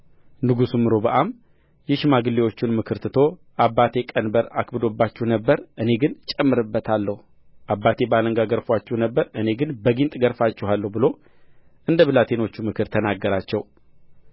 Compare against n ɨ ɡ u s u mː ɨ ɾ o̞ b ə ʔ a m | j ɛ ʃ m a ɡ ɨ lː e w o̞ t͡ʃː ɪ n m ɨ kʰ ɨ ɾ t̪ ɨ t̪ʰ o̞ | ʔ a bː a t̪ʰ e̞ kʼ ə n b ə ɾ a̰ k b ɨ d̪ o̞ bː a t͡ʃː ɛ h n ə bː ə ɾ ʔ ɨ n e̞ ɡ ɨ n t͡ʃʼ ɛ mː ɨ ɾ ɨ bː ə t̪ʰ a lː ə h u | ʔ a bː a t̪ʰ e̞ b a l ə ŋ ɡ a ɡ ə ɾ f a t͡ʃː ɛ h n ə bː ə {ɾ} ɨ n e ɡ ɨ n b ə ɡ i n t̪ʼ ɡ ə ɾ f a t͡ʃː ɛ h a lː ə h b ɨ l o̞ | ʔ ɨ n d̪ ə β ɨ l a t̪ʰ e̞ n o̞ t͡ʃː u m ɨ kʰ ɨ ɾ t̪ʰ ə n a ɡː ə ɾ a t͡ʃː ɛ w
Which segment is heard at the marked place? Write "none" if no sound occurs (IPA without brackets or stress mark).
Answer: ɾ